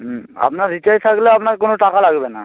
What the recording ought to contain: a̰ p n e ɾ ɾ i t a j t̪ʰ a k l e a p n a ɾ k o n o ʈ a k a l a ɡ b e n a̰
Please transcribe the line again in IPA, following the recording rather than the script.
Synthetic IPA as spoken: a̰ p n a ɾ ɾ i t a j t̪ʰ a k l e a p n a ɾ k o n o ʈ a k a l a ɡ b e n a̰